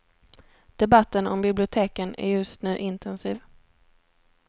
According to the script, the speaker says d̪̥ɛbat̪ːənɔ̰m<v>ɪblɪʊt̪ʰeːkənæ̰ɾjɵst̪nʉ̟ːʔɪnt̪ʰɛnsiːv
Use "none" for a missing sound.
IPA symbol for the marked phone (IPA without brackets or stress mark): b